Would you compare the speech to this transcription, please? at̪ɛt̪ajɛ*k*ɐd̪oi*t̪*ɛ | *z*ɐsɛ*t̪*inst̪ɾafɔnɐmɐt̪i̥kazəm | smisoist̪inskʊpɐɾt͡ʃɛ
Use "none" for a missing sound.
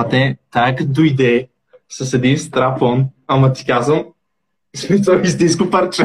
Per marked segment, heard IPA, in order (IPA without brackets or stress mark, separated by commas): k, d̪, s, d̪